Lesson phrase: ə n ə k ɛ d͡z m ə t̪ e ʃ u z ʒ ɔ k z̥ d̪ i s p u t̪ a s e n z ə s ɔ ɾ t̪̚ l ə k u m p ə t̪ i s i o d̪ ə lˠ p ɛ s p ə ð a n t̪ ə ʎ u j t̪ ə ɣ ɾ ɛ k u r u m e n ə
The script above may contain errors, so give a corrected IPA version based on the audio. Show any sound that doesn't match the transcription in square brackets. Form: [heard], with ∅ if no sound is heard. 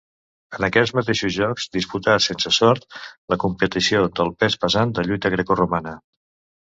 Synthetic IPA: ə n ə k ɛ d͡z m ə t̪ e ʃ u z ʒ ɔ k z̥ d̪ i s p u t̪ a s e n [s] ə s ɔ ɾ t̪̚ l ə k u m p ə t̪ i s i o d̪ ə lˠ p ɛ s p ə [z] a n [d̪] ə ʎ u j t̪ ə ɣ ɾ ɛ k u r u m [a] n ə